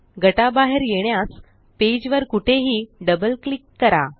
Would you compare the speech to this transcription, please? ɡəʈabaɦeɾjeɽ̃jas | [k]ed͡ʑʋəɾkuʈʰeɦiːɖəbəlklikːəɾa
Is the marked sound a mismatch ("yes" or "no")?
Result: yes